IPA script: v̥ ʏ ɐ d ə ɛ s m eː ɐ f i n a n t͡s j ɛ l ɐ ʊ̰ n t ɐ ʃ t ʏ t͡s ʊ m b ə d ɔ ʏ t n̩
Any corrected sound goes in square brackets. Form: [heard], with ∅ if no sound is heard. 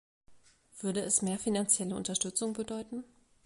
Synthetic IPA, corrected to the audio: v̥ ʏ ɐ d ə ɛ s m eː ɐ f i n a n t͡s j ɛ l [ə] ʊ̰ n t ɐ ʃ t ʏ t͡s ʊ [ŋ] b ə d ɔ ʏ t n̩